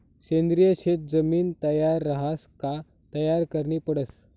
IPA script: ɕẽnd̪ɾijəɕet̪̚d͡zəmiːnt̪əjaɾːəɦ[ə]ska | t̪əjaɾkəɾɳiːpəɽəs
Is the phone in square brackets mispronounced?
yes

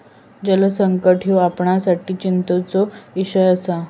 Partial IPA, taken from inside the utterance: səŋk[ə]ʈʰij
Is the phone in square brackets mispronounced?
no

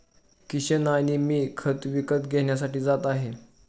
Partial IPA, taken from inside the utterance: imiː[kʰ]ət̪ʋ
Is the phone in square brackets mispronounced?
no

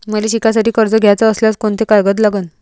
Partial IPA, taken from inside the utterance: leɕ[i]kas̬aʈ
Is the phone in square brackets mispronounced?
no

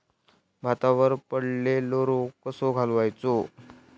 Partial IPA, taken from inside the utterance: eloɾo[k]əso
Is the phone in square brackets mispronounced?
no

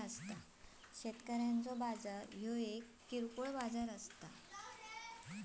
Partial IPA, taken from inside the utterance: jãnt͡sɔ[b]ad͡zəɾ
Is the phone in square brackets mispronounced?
no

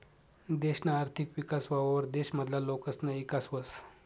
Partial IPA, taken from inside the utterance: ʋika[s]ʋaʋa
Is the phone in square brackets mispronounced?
no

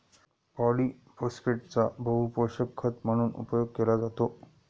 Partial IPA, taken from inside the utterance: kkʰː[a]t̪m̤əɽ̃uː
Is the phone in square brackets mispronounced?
yes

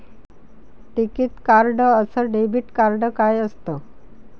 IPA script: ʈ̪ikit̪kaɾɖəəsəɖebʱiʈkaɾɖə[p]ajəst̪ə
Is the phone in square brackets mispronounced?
yes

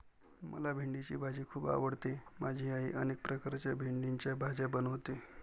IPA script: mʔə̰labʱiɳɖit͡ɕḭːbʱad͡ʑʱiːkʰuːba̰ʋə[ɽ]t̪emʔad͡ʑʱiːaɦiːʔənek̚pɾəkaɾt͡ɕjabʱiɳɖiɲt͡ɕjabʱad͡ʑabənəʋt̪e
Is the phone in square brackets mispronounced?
no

